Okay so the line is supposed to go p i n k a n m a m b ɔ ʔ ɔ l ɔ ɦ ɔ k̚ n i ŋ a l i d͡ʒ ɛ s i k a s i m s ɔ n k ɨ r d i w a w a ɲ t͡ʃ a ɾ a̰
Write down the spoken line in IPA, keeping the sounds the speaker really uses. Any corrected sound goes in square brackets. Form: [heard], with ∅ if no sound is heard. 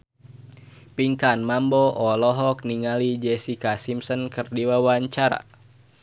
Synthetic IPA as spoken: p i [ŋ] k a n m a m b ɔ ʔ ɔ l ɔ ɦ ɔ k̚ n i ŋ a l i d͡ʒ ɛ s i k a s i m s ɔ n k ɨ r d i w a w a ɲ t͡ʃ a ɾ a̰